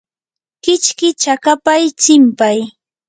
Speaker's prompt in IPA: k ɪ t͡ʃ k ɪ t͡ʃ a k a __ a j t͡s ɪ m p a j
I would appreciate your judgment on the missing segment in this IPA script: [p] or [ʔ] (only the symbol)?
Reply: p